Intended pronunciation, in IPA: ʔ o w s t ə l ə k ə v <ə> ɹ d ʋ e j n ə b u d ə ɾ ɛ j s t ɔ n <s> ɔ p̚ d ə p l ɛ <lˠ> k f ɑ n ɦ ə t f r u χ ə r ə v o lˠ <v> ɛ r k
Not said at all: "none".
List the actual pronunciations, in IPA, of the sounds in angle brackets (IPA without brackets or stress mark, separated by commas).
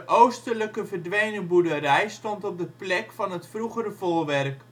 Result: ə, t, none, ʋ